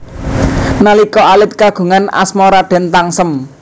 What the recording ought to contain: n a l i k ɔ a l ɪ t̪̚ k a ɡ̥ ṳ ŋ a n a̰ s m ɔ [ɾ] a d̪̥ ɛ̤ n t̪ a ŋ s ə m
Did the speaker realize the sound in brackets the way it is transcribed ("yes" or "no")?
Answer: yes